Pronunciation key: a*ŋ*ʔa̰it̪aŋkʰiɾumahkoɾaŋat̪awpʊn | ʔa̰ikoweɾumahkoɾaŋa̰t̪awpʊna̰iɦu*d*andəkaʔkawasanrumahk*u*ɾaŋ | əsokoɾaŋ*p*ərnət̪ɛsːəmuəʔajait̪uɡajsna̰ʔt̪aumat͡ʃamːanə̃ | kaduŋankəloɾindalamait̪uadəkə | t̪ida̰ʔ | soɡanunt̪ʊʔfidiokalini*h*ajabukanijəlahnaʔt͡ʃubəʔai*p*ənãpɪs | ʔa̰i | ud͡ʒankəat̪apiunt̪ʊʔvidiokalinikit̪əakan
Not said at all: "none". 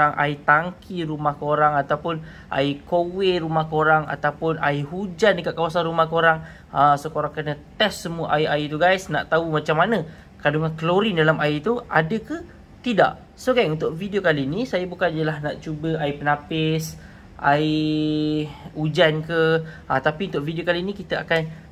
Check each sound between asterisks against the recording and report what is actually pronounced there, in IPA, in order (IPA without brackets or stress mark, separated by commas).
ŋ, d͡ʒ, o, k, s, p